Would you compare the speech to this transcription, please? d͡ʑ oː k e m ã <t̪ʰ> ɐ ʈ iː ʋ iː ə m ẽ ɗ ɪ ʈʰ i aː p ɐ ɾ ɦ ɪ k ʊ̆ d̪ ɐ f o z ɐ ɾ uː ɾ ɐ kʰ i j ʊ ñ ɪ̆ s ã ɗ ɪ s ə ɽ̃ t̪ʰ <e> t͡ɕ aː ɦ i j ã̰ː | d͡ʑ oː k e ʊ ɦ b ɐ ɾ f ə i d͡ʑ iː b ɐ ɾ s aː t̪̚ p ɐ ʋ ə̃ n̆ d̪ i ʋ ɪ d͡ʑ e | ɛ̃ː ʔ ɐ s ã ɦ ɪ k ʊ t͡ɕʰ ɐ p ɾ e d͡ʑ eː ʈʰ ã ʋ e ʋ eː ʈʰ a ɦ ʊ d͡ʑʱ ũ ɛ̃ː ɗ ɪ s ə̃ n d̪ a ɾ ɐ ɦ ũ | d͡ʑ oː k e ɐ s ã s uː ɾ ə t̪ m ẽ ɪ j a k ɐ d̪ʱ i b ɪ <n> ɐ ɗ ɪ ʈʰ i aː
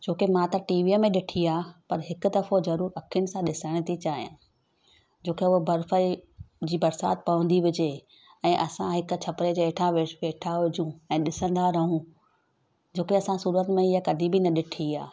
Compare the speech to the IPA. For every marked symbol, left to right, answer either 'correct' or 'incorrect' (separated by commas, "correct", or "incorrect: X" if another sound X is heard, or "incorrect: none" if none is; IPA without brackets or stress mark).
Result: incorrect: t̪, incorrect: i, correct